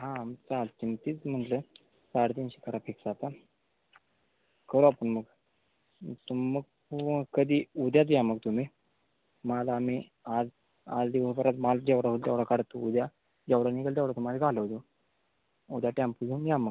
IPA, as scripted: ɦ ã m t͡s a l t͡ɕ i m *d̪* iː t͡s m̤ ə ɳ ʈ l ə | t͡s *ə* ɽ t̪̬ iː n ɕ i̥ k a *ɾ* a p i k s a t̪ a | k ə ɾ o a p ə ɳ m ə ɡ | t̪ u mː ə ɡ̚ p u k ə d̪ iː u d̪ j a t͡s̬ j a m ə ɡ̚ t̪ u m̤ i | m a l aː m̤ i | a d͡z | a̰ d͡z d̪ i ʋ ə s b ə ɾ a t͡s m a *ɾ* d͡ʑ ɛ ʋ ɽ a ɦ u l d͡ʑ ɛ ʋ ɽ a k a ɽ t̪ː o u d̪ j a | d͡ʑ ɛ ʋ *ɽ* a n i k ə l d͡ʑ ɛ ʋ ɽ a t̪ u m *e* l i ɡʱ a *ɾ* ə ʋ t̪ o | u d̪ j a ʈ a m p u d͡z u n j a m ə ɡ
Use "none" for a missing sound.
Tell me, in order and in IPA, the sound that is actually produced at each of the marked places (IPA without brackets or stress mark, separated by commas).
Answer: t̪, a, ɾ, l, ɽ, a, l